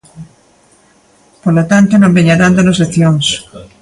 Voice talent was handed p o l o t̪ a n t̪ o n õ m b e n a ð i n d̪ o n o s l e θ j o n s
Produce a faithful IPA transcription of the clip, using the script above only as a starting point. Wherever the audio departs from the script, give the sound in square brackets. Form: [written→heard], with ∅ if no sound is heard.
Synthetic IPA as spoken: p o l o t̪ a n t̪ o n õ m b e [n→ɲ] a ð [i→a] n d̪ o n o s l e θ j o [n→ŋ] s